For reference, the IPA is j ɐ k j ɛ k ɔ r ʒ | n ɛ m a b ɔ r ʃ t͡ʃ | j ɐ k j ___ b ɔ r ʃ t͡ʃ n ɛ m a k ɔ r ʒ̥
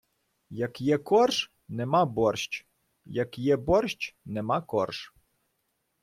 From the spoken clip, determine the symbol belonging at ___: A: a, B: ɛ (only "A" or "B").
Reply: B